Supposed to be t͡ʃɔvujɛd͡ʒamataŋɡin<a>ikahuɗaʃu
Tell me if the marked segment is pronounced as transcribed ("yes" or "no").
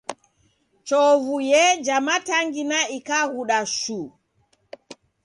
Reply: yes